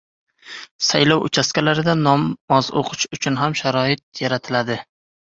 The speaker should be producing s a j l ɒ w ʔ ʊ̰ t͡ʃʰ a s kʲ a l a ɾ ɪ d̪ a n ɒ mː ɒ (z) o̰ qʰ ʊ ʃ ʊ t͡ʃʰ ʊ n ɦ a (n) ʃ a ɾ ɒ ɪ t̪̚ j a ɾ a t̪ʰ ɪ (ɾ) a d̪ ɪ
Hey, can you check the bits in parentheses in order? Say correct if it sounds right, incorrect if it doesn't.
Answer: correct, incorrect: m, incorrect: l

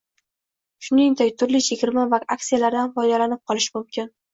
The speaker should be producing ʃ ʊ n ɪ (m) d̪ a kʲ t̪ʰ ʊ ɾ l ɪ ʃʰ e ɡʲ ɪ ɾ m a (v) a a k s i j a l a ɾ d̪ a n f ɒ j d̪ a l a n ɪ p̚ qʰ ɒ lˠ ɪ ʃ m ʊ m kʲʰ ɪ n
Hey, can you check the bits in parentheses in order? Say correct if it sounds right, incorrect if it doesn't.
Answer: incorrect: ŋ, correct

